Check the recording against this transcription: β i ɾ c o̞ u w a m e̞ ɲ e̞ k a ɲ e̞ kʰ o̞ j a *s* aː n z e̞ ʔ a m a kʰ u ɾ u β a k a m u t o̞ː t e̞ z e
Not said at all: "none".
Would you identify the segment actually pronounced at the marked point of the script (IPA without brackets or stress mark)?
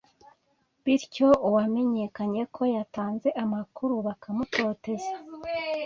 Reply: t